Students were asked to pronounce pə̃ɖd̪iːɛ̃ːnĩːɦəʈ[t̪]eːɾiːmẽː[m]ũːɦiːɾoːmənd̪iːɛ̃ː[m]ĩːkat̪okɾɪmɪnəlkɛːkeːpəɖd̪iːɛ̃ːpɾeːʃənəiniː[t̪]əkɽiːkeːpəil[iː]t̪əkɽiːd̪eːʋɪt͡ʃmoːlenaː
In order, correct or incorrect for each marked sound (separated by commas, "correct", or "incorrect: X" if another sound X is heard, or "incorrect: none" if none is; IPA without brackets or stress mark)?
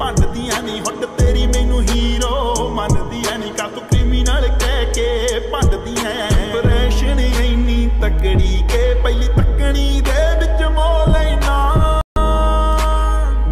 correct, incorrect: n, incorrect: n, correct, correct